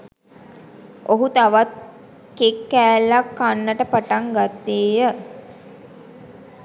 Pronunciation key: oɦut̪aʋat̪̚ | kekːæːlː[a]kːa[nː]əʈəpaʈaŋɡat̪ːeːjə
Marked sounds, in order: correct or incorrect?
correct, correct

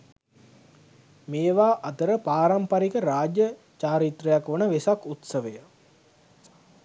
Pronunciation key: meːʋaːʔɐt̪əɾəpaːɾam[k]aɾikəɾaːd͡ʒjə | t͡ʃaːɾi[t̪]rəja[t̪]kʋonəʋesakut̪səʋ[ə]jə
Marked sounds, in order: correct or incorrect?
incorrect: p, correct, incorrect: none, correct

